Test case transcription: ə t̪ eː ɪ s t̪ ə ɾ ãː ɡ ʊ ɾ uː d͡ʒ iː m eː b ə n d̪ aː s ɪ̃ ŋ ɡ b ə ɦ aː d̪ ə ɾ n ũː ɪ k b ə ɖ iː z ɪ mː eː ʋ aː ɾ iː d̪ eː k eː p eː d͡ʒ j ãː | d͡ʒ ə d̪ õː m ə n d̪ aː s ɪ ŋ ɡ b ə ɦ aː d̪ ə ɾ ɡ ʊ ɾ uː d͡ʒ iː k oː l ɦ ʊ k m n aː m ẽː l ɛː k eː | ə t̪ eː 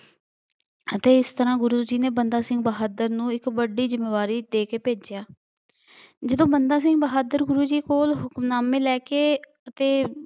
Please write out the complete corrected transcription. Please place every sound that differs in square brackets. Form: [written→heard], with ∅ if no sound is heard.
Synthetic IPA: ə t̪ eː ɪ s t̪ ə ɾ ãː ɡ ʊ ɾ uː d͡ʒ iː [m→n] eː b ə n d̪ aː s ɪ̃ ŋ ɡ b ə ɦ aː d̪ ə ɾ n ũː ɪ k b ə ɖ iː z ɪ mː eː ʋ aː ɾ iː d̪ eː k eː p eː d͡ʒ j [ãː→aː] | d͡ʒ ə d̪ õː [m→b] ə n d̪ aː s ɪ ŋ ɡ b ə ɦ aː d̪ ə ɾ ɡ ʊ ɾ uː d͡ʒ iː k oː l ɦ ʊ k m n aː m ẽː l ɛː k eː | ə t̪ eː